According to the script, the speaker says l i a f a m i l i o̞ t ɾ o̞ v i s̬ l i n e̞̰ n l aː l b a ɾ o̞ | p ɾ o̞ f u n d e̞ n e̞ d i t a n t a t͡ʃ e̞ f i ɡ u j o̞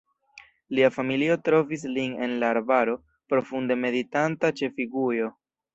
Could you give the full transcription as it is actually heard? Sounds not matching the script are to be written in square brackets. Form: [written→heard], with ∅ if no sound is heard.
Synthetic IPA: l i a f a m i l i o̞ t ɾ o̞ v i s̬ l i n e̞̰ n l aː [l→ɾ] b a ɾ o̞ | p ɾ o̞ f u n d e̞ [n→m] e̞ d i t a n t a t͡ʃ e̞ f i ɡ u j o̞